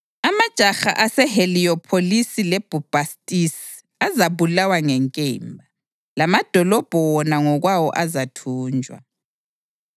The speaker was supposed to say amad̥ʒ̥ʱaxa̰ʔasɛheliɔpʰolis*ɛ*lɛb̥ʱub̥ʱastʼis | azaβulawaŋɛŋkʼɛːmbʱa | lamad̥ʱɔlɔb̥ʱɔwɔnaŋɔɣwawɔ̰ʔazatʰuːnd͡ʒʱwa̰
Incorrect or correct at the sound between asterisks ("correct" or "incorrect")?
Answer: incorrect